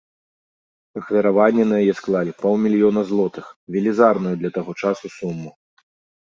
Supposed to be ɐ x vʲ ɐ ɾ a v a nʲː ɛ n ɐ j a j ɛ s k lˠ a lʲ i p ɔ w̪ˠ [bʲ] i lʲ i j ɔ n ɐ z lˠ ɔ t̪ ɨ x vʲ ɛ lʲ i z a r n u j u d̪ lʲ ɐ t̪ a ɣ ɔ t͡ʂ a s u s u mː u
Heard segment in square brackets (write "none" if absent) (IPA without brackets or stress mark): mʲ